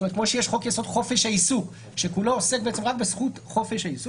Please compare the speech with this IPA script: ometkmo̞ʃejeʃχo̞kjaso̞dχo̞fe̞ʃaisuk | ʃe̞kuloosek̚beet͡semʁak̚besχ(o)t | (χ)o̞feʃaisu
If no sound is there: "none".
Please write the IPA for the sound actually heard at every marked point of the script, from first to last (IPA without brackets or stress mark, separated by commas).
u, χ